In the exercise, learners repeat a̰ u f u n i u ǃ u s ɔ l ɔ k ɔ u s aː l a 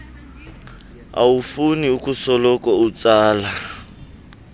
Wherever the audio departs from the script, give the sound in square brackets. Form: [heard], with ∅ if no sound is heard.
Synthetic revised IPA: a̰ u f u n i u [k] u s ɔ l ɔ k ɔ u [t͡s] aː l a